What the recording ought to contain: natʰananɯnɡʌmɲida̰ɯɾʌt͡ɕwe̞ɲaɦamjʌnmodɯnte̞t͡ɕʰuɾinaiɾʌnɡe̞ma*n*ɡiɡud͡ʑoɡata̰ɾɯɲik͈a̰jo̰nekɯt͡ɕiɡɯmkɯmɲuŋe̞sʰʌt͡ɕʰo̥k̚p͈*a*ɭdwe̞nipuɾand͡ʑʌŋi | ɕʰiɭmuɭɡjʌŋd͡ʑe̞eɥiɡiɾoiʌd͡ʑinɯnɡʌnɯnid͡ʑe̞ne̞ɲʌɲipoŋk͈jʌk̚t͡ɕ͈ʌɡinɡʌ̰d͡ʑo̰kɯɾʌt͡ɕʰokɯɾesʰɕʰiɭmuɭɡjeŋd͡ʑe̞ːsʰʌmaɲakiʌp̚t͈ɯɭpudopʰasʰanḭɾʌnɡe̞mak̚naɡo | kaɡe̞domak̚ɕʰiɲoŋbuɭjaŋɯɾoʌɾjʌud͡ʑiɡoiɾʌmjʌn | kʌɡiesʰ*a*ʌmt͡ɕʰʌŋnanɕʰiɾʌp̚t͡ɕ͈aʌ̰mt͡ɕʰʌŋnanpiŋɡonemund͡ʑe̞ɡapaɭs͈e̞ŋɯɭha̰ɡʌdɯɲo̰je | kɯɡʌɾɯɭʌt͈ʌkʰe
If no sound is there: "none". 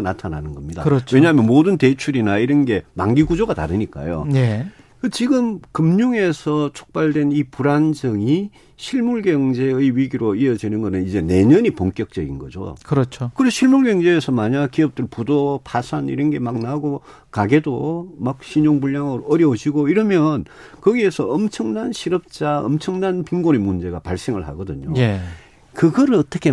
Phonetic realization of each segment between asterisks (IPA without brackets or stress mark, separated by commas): ŋ, a, ʌ